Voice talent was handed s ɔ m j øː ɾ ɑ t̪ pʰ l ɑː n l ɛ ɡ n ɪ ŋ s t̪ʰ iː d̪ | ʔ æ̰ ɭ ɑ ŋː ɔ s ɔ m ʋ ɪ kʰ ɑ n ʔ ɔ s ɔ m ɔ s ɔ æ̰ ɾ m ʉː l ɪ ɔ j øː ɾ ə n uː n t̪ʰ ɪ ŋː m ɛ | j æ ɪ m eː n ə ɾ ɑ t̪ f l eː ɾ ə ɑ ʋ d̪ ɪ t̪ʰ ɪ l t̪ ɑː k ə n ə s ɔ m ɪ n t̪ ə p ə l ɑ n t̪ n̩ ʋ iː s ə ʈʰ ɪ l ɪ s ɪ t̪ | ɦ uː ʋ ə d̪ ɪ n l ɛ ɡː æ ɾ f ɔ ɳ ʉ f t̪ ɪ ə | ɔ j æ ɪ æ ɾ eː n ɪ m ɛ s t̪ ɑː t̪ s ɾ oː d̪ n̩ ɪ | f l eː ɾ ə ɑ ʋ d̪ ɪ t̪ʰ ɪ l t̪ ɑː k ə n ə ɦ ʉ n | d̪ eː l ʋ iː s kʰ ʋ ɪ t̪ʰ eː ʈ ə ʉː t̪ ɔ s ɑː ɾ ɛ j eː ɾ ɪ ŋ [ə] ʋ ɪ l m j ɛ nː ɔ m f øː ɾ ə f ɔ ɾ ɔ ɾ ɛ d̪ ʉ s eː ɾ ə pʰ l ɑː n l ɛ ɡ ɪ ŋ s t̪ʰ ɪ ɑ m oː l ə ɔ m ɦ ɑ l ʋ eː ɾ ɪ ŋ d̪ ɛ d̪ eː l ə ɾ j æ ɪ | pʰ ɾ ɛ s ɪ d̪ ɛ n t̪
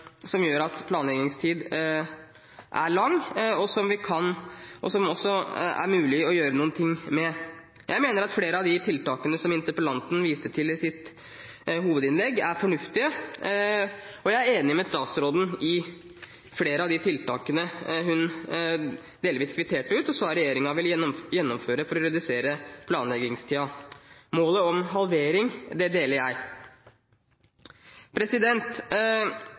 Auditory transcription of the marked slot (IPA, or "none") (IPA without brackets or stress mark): ɑ